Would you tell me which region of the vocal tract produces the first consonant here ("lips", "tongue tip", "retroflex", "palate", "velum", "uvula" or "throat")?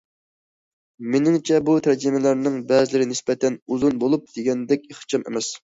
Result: lips